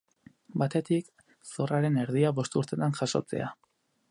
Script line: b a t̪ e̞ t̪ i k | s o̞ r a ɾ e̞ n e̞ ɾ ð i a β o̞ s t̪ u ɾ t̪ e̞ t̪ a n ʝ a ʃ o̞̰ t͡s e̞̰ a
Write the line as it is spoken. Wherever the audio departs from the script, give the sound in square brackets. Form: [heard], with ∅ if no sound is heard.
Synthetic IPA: b a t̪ e̞ t̪ i k | s o̞ r a ɾ e̞ n e̞ ɾ ð i a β o̞ s t̪ u ɾ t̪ e̞ t̪ a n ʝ a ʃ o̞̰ t͡s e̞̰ a